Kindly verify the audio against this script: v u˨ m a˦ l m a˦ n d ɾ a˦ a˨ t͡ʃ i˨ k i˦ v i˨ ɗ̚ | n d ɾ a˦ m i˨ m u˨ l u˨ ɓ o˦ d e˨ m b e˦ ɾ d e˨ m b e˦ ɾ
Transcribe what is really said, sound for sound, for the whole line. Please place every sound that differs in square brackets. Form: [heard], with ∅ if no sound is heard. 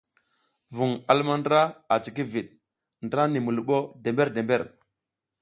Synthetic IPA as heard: v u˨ [ŋ] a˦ l m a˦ n d ɾ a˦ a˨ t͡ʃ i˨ k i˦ v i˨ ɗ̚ | n d ɾ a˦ [n] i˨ m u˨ l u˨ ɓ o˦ d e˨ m b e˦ ɾ d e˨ m b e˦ ɾ